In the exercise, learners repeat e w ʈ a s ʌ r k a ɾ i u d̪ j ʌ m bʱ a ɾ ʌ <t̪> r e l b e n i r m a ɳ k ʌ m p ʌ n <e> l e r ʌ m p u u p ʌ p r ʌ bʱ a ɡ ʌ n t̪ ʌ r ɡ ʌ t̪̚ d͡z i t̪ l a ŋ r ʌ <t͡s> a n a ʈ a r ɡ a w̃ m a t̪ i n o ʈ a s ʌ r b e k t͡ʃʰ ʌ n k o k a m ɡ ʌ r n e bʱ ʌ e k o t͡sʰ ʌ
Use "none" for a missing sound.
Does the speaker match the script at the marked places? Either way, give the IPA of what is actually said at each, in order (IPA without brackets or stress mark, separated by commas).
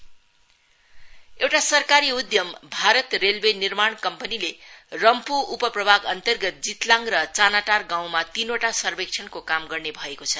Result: t̪, i, t͡s